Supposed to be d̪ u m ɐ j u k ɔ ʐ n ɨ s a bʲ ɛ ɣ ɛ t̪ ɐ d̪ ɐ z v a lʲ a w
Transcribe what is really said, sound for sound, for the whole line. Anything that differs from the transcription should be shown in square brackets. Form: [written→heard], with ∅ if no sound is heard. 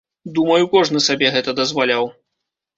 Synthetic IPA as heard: d̪ u m ɐ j u k ɔ ʐ n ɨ s a bʲ ɛ ɣ ɛ t̪ ɐ d̪ ɐ z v a lʲ a w